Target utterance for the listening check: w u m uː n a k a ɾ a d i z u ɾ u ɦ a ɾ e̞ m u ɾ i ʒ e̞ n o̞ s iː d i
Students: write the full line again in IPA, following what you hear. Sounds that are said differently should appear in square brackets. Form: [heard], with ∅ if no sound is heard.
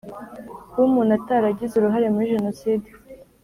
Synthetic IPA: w u m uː n a [t] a ɾ a [ɟ] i z u ɾ u ɦ a ɾ e̞ m u ɾ i ʒ e̞ n o̞ s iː d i